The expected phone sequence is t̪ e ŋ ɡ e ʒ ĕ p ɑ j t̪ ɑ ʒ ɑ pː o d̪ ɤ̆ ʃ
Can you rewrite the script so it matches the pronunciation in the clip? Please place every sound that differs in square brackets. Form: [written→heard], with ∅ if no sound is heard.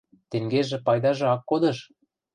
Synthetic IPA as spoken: t̪ e ŋ ɡ e ʒ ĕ p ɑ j [t̪→d̪] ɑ ʒ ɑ [pː→kː] o d̪ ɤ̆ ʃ